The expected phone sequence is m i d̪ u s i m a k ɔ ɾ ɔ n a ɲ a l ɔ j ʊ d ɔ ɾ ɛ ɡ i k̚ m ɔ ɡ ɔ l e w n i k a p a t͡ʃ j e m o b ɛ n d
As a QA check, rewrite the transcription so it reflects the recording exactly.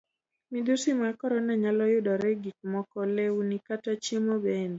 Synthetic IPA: m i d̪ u s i m a k ɔ ɾ ɔ n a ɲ a l ɔ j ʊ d ɔ ɾ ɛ ɡ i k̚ m ɔ k ɔ l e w n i k a t a t͡ʃ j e m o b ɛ n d